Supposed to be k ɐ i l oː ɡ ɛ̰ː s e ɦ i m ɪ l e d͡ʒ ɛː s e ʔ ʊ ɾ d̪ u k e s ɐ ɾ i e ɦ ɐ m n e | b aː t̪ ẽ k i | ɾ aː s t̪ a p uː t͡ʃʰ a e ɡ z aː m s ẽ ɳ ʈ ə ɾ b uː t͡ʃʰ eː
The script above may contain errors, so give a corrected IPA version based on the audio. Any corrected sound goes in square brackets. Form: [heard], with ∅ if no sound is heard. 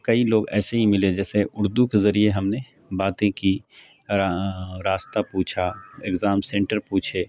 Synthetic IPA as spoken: k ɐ i l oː ɡ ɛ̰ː s e ɦ i m ɪ l e d͡ʒ ɛː s e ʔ ʊ ɾ d̪ u k e [z] ɐ ɾ i e ɦ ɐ m n e | b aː t̪ ẽ k i | ɾ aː s t̪ a p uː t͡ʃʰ a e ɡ z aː m s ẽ ɳ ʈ ə ɾ [p] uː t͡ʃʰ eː